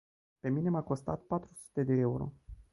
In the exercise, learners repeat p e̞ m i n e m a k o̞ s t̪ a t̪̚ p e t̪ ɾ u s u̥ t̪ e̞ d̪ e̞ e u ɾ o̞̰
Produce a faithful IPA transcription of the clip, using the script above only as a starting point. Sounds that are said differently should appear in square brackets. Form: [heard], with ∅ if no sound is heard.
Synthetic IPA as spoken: p e̞ m i n e m a k o̞ s t̪ a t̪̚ p [a] t̪ ɾ u s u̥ t̪ e̞ d̪ e̞ e u ɾ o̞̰